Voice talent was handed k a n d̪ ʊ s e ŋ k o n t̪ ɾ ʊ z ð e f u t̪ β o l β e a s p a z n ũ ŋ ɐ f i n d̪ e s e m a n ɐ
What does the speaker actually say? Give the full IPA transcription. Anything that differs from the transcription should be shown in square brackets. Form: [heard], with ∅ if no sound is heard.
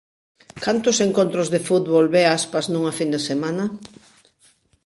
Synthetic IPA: k a n [t̪] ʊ s e ŋ k o n t̪ ɾ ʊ z ð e f u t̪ β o l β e a s p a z n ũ ŋ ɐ f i n d̪ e s e m a n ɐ